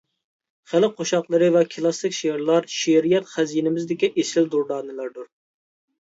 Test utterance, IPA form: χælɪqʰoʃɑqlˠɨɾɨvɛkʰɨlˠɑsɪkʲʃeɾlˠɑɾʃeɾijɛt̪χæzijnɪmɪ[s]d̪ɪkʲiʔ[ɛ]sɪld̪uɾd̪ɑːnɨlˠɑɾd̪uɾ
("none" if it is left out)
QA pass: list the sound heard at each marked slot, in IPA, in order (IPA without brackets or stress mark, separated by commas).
z, e